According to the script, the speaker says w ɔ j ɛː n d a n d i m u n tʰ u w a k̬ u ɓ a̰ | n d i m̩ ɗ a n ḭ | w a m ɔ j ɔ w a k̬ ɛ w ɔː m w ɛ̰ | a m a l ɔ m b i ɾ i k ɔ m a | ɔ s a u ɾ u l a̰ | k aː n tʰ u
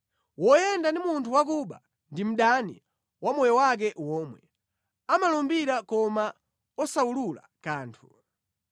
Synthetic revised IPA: w ɔ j ɛ n d a n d i m u n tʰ u w a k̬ u ɓ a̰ | n d i m̩ ɗ a n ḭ | w a m ɔ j ɔ w a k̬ ɛ w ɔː m w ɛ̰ | a m a l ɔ m b i ɾ a k ɔ m a | ɔ s a u l u l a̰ | k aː n tʰ u